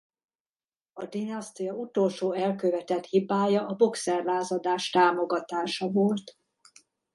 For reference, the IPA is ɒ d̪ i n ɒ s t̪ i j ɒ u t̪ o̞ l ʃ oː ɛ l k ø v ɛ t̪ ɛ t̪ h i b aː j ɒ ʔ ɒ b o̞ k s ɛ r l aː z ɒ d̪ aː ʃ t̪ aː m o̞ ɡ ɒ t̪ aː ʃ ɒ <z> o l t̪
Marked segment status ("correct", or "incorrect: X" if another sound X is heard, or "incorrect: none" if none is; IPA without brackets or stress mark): incorrect: v